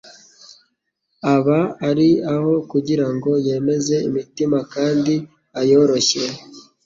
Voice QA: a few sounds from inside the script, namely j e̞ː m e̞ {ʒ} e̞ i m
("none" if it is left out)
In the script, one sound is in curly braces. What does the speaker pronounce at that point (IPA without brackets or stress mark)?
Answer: z